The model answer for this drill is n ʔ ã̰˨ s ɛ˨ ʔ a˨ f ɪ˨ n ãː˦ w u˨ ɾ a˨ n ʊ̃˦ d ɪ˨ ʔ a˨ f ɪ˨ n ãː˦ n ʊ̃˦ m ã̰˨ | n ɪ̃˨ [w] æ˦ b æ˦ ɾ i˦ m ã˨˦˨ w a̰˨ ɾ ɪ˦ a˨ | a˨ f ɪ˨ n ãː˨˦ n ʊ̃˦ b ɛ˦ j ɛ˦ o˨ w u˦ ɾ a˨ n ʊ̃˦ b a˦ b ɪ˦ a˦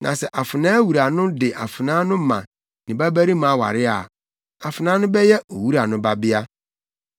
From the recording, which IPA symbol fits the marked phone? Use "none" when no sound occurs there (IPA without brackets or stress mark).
b